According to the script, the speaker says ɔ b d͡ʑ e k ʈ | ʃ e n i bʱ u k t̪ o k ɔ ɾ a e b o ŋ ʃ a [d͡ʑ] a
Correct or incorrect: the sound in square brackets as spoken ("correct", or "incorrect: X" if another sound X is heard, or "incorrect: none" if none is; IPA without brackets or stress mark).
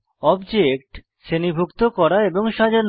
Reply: correct